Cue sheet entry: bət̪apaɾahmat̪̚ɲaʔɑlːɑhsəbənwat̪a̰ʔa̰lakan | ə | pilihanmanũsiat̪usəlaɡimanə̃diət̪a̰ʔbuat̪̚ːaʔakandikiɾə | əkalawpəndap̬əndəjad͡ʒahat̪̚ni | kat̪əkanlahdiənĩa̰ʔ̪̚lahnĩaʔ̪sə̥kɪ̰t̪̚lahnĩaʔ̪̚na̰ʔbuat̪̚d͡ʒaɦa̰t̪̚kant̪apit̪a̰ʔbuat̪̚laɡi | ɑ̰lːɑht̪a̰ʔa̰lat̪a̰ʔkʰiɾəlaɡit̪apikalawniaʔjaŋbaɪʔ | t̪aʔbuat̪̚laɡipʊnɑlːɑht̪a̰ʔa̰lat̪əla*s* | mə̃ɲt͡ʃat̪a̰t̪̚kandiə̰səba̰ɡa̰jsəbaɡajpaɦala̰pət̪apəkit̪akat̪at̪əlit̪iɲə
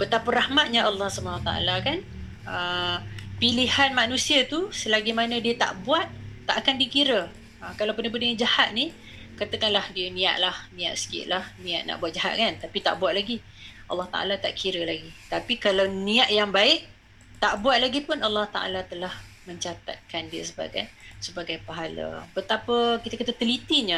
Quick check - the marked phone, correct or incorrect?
incorrect